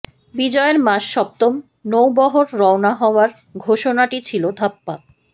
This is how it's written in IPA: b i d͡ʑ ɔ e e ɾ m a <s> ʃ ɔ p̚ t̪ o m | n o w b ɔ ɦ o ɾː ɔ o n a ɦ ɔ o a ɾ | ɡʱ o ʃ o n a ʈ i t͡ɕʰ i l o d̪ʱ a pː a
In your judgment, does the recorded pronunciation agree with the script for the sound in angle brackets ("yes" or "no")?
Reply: no